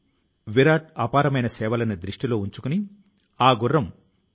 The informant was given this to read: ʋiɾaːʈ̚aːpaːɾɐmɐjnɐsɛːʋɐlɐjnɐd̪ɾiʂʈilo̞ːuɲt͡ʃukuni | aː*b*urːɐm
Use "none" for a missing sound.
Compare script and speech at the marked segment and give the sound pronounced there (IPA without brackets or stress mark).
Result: ɡ